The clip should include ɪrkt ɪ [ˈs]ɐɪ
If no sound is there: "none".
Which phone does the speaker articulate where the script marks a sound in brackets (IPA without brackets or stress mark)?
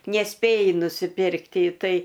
t